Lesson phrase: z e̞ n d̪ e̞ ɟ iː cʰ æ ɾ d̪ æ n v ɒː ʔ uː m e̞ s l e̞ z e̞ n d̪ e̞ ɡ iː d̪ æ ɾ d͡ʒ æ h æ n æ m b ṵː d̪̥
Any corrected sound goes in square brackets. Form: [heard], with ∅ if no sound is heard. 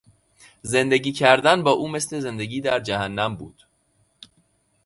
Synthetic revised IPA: z e̞ n d̪ e̞ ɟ iː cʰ æ ɾ d̪ æ n [b] ɒː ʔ uː m e̞ s l e̞ z e̞ n d̪ e̞ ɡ iː d̪ æ ɾ d͡ʒ æ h æ [nː] æ m b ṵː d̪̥